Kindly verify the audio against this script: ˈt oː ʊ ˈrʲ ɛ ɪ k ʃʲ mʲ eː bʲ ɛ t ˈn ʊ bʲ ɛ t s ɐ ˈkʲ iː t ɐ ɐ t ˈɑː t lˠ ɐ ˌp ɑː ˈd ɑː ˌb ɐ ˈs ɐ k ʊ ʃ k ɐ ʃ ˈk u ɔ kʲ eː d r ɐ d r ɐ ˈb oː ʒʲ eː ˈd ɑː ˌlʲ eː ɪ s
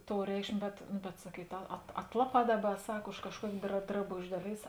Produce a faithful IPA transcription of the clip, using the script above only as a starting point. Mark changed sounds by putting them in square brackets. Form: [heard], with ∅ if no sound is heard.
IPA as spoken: ˈt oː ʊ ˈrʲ ɛ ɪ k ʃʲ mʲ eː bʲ ɛ t ˈn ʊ bʲ ɛ t s ɐ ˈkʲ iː t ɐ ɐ t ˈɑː t lˠ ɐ ˌp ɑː ˈd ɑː ˌb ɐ ˈs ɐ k ʊ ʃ k ɐ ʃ ˈk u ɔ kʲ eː d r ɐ d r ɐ ˈb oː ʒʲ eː ˈd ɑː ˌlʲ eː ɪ s